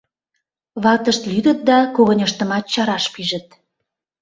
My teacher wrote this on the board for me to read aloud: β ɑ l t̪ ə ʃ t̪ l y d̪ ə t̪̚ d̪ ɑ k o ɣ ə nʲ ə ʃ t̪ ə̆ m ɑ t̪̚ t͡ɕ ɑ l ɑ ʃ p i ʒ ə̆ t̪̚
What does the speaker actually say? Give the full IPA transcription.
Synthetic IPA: β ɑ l t̪ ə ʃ t̪ l y d̪ ə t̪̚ d̪ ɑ k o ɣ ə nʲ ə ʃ t̪ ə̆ m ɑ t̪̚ t͡ɕ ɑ ɾ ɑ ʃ p i ʒ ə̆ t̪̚